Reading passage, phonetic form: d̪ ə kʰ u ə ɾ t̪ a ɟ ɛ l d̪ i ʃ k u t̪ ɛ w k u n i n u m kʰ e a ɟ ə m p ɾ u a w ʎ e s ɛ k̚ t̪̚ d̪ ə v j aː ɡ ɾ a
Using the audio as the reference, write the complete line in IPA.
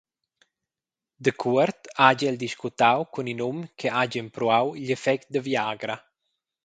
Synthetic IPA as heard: d̪ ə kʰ u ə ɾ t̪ a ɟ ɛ l d̪ i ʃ k u t̪ a w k u n i n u m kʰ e a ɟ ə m p ɾ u a w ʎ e f ɛ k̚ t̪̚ d̪ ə v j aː ɡ ɾ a